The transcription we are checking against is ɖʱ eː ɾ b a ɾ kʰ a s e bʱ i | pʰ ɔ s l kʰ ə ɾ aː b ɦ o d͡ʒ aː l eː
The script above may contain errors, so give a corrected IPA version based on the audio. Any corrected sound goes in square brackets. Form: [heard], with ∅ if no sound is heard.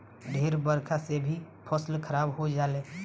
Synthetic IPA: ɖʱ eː ɾ b [ə] ɾ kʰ a s e bʱ i | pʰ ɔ s l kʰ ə ɾ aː b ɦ o d͡ʒ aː l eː

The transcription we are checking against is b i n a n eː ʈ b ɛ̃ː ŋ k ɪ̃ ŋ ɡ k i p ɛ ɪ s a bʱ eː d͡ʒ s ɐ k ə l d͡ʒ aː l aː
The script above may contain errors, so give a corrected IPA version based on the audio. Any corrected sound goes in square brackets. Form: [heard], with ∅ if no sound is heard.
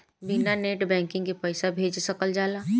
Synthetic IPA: b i n a n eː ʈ b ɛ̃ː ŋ k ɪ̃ ŋ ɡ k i p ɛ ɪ s a bʱ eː d͡ʒ s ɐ k ə l d͡ʒ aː l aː

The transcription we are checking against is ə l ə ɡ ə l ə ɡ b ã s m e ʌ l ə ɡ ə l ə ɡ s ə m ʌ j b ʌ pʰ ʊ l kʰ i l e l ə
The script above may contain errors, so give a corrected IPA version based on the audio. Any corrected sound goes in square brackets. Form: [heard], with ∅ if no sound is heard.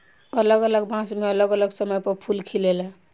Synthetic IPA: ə l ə ɡ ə l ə ɡ b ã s m e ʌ l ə ɡ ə l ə ɡ s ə m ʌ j [p] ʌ pʰ [u] l kʰ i l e l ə

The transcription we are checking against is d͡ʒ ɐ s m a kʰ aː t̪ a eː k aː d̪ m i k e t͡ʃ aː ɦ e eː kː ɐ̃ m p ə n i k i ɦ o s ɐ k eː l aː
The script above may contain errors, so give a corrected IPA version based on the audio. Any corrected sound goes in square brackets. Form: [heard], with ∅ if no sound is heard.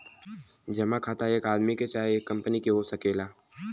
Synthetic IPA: d͡ʒ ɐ [∅] m a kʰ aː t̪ a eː k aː d̪ m i k e t͡ʃ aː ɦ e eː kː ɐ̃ m p ə n i k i ɦ o s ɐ k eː l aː

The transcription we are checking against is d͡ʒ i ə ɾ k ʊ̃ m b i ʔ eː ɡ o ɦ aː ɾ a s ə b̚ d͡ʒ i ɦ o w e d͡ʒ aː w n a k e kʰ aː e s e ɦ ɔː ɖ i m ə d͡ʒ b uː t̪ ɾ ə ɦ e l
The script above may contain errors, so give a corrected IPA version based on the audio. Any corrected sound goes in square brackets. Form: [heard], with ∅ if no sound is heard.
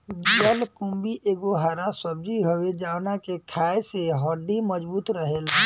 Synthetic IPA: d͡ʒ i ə [l] k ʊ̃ m b i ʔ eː ɡ o ɦ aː ɾ a s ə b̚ d͡ʒ i ɦ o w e d͡ʒ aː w n a k e kʰ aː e s e ɦ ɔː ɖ i m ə d͡ʒ b uː t̪ ɾ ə ɦ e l

